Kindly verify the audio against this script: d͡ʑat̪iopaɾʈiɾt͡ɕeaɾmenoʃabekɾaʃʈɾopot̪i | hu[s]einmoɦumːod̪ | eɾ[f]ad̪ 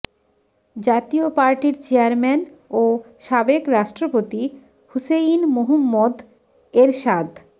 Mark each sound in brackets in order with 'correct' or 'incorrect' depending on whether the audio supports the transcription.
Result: correct, incorrect: ʃ

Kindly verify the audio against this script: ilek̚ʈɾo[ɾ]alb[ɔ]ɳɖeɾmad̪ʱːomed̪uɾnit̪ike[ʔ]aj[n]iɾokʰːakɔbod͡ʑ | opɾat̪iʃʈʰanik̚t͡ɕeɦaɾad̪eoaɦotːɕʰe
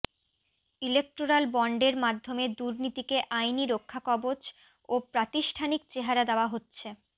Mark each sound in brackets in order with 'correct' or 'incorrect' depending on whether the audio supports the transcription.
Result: correct, correct, correct, correct

